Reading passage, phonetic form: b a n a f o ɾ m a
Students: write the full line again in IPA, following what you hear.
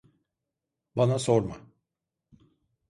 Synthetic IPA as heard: b a n a s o ɾ m a